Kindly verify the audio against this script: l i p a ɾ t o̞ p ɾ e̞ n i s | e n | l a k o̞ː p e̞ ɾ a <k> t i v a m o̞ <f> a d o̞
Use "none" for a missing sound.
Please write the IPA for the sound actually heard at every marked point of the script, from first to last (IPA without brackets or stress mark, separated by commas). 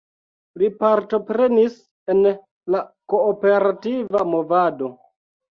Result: none, v